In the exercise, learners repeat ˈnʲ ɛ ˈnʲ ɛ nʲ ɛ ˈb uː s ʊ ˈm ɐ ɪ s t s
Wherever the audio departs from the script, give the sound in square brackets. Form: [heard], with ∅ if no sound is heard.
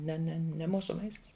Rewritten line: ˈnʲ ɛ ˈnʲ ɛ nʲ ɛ [ˈm] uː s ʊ ˈm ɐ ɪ s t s